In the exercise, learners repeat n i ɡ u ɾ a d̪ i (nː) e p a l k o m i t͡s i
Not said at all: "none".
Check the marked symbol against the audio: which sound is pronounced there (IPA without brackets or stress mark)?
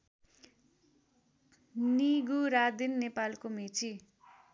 nː